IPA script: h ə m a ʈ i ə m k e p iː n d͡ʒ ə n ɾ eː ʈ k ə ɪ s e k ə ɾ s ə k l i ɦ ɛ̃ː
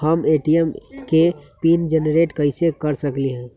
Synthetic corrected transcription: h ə m e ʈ i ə m k e p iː n d͡ʒ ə n ɾ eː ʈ k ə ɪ s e k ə ɾ s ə k l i ɦ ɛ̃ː

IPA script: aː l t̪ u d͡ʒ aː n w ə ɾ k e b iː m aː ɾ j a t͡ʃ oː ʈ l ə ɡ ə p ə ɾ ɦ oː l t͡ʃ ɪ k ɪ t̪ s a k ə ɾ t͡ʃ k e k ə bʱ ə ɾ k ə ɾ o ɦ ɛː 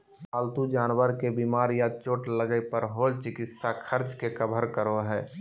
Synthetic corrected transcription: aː l t̪ u d͡ʒ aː n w ə ɾ k e b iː m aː ɾ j a t͡ʃ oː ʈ l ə ɡ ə p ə ɾ ɦ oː l t͡ʃ ɪ k ɪ t̪ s a kʰ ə ɾ t͡ʃ k e k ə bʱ ə ɾ k ə ɾ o ɦ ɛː

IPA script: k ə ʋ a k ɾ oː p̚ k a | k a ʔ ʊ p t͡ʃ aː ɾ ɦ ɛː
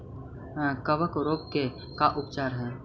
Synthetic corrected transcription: k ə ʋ ə k ɾ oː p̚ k e | k a ʔ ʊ p t͡ʃ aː ɾ ɦ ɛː

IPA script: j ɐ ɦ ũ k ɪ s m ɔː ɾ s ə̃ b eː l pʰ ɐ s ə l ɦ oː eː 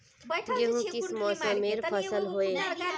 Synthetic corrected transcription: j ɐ ɦ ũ k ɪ s m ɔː s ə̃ m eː ɾ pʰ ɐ s ə l ɦ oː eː

